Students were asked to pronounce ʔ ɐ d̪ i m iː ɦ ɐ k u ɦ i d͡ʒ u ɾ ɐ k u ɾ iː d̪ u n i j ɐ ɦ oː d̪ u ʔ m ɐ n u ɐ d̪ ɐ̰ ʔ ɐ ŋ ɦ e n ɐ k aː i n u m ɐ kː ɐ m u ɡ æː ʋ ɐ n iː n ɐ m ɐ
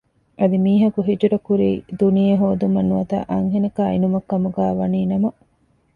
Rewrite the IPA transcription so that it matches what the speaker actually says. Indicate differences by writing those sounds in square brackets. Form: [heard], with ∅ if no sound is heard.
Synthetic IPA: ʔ ɐ d̪ i m iː ɦ ɐ k u ɦ i d͡ʒ u ɾ ɐ k u ɾ iː d̪ u n i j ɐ ɦ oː d̪ u [∅] m ɐ n u ɐ [t̪] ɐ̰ ʔ ɐ ŋ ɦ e n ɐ k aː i n u m ɐ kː ɐ m u ɡ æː ʋ ɐ n iː n ɐ m ɐ